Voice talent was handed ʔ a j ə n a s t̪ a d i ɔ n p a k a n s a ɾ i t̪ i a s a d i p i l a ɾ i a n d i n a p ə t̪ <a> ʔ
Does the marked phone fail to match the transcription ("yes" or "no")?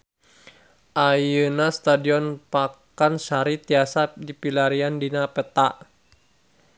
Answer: no